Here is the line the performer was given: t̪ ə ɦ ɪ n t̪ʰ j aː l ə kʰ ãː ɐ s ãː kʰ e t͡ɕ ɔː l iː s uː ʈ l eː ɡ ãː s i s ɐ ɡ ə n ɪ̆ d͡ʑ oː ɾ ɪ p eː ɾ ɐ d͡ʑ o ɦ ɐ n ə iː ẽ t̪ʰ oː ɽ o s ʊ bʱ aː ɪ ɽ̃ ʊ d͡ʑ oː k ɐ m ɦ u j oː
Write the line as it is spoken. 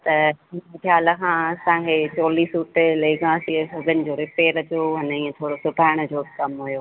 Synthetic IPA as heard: t̪ ɐ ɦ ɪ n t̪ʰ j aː l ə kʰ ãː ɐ s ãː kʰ e t͡ɕ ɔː l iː s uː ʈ l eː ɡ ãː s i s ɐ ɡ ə n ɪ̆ d͡ʑ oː ɾ ɪ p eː ɾ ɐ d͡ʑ o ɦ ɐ n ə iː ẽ t̪ʰ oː ɽ o s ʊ bʱ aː ɪ ɽ̃ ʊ d͡ʑ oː k ɐ m ɦ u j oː